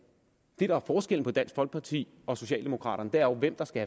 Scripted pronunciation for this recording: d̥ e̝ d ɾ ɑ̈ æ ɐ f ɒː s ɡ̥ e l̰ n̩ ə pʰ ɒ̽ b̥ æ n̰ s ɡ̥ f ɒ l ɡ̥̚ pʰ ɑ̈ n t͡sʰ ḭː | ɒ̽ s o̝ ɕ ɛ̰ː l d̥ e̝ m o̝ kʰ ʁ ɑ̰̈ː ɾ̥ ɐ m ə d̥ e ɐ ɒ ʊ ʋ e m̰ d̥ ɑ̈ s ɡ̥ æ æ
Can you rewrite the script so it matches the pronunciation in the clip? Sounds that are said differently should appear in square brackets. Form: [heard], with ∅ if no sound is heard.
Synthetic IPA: d̥ e̝ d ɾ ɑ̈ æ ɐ f ɒː s ɡ̥ e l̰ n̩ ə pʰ ɒ̽ [d̥] æ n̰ s ɡ̥ f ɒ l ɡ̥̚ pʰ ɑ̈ [∅] t͡sʰ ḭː | ɒ̽ s o̝ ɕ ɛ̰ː l d̥ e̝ m o̝ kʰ ʁ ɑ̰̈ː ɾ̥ ɐ [n] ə d̥ e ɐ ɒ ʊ ʋ e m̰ d̥ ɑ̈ s ɡ̥ æ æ